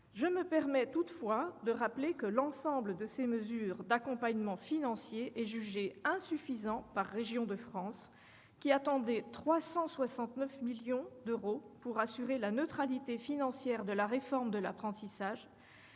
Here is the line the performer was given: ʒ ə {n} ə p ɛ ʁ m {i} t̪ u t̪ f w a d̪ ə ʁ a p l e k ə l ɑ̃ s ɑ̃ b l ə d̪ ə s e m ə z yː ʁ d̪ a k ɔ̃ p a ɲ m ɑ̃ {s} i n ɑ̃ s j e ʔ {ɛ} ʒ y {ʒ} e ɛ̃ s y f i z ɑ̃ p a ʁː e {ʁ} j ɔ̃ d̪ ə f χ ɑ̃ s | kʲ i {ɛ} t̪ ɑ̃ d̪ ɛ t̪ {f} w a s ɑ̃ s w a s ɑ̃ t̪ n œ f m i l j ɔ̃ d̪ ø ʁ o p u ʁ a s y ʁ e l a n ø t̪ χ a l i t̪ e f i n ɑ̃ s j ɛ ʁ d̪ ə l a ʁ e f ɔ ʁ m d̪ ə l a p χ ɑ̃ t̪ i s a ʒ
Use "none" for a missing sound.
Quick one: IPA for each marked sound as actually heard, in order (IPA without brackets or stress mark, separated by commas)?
m, ɛ, f, ɛ, ʒ, ʒ, a, χ